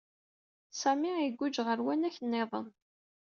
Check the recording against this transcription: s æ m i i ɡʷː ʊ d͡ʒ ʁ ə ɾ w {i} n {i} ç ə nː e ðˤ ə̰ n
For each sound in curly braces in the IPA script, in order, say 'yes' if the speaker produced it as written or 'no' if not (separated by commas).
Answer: no, no